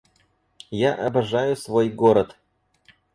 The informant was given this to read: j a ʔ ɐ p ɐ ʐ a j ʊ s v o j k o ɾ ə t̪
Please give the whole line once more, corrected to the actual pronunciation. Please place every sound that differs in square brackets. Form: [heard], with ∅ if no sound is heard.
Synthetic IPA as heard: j a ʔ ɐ [b] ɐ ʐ a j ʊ s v o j [ɡ] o ɾ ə t̪